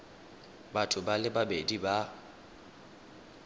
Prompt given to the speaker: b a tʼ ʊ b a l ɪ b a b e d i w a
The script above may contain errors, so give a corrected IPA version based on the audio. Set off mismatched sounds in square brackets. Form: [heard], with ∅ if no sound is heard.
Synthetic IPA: b a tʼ ʊ b a l ɪ b a b e d i [b] a

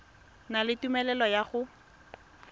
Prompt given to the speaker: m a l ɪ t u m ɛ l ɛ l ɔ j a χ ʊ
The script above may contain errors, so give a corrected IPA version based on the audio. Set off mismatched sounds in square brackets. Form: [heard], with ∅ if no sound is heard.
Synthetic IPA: [n] a l ɪ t u m ɛ l ɛ l ɔ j a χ ʊ

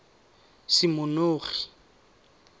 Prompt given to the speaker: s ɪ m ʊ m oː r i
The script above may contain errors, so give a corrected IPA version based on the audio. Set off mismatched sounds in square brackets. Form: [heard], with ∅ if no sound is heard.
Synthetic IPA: s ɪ m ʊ [n] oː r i

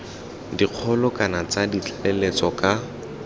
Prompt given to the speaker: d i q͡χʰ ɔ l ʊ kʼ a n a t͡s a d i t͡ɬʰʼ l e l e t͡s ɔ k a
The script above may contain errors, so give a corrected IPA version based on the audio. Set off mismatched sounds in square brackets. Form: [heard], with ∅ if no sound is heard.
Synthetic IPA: d i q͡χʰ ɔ l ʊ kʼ a n a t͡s a d i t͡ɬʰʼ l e l e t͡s ɔ k a

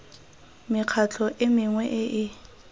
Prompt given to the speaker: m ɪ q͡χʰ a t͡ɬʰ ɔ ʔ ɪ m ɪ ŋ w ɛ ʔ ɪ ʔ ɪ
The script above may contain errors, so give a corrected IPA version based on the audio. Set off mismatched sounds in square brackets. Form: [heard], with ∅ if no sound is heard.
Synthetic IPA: m ɪ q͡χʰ a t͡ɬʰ ɔ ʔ ɪ m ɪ ŋ w ɛ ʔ ɪ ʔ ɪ

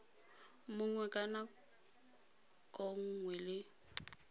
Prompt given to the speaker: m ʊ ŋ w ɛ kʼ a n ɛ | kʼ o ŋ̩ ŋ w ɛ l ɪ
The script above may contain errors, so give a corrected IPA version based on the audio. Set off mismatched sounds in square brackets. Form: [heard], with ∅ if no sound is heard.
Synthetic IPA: m ʊ ŋ w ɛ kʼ a n [a] | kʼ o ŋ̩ ŋ w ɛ l ɪ

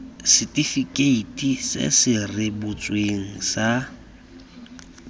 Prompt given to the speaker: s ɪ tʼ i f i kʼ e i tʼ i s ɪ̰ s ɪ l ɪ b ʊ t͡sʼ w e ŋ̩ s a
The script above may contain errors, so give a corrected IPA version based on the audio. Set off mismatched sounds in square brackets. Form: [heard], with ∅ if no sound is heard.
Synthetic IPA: s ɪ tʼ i f i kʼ e i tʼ i s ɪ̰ s ɪ [r] ɪ b ʊ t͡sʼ w e ŋ̩ s a

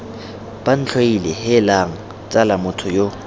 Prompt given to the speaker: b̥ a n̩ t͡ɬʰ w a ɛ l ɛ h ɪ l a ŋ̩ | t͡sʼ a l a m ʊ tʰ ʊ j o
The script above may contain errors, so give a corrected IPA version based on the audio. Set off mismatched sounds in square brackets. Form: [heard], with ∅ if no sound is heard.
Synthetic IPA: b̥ a n̩ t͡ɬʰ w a [i] l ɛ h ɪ l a ŋ̩ | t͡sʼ a l a m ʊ tʰ ʊ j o

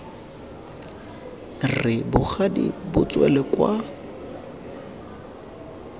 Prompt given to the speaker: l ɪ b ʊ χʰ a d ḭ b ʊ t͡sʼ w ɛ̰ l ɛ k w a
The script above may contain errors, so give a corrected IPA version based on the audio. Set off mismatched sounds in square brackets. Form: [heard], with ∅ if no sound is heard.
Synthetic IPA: [r] ɪ b ʊ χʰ a d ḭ b ʊ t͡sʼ w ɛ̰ l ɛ k w a

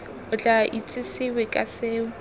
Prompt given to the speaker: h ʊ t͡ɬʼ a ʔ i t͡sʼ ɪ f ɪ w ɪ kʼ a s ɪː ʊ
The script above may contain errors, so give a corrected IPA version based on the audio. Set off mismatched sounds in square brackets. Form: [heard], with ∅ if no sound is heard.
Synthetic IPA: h ʊ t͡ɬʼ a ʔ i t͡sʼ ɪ [s] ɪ w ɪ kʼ a s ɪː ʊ

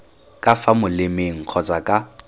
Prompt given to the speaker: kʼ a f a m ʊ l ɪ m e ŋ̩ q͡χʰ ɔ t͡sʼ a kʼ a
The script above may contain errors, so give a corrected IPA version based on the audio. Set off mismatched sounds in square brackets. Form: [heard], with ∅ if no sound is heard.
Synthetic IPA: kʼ a f a m ʊ l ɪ m e ŋ̩ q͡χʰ ɔ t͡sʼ a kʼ a

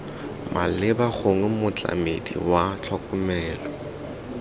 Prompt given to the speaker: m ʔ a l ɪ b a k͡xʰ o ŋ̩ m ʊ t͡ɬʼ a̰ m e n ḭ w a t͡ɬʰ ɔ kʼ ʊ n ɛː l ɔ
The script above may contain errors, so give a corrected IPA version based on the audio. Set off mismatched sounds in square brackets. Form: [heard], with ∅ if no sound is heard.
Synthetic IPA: m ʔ a l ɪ b a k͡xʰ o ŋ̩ m ʊ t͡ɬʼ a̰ m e [d] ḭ w a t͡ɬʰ ɔ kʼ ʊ [m] ɛː l ɔ

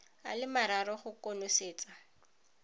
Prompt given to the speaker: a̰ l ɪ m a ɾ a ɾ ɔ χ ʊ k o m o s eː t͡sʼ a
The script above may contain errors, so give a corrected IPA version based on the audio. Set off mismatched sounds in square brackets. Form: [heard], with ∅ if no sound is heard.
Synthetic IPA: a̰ l ɪ m a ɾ a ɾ ɔ χ ʊ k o [n] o s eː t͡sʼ a

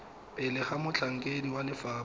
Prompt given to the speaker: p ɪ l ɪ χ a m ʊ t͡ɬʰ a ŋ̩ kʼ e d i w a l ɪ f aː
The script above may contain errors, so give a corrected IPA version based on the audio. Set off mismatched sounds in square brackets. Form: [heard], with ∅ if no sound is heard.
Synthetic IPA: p ɪ l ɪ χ a m ʊ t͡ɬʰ a ŋ̩ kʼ e d i w a l ɪ f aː

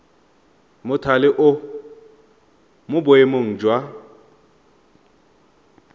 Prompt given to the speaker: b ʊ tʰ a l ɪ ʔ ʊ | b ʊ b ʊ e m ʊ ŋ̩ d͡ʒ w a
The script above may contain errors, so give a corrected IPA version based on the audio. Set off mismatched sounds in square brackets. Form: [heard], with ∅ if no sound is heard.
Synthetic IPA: [m] ʊ tʰ a l ɪ ʔ ʊ | [m] ʊ b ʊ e m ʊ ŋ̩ d͡ʒ w a

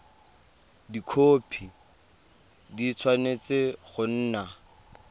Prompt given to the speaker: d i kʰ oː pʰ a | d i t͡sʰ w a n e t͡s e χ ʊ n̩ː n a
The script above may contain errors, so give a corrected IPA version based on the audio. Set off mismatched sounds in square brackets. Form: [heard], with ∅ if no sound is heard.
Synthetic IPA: d i kʰ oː pʰ [i] | d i t͡sʰ w a n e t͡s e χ ʊ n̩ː n a

